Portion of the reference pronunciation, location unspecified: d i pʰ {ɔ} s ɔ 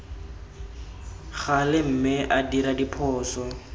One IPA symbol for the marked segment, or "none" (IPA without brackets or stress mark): ɔː